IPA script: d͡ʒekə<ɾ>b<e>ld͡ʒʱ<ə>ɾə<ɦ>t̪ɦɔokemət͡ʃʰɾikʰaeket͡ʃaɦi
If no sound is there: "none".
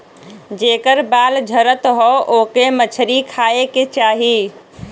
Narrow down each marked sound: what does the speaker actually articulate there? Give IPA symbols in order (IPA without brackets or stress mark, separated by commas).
ɾ, a, ə, none